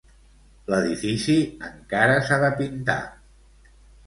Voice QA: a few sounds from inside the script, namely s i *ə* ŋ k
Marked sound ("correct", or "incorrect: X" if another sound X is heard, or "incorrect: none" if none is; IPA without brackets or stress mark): correct